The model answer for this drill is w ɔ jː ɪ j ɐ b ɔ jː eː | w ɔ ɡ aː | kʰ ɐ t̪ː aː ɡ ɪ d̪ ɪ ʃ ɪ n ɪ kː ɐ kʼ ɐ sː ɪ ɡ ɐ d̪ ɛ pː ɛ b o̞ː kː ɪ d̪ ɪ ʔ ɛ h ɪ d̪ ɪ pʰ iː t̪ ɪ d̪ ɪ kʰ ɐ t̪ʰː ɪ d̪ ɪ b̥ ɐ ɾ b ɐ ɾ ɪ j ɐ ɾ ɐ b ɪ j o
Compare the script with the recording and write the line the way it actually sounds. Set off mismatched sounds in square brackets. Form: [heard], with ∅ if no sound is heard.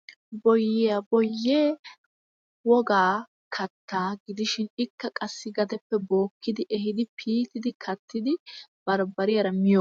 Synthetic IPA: [b] ɔ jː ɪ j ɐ b ɔ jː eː | w ɔ ɡ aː | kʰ ɐ t̪ː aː ɡ ɪ d̪ ɪ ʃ ɪ n ɪ kː ɐ kʼ ɐ sː ɪ ɡ ɐ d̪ ɛ pː ɛ b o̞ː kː ɪ d̪ ɪ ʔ ɛ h ɪ d̪ ɪ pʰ iː t̪ ɪ d̪ ɪ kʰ ɐ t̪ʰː ɪ d̪ ɪ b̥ ɐ ɾ b ɐ ɾ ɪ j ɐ ɾ ɐ [m] ɪ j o